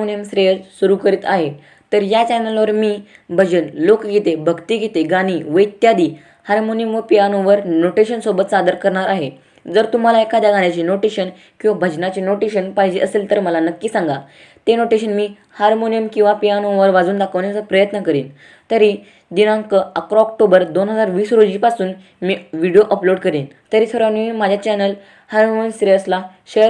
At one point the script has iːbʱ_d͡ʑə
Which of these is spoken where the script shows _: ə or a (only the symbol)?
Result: ə